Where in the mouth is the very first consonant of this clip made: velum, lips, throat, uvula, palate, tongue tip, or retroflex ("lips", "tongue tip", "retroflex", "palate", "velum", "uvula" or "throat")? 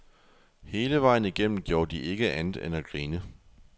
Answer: throat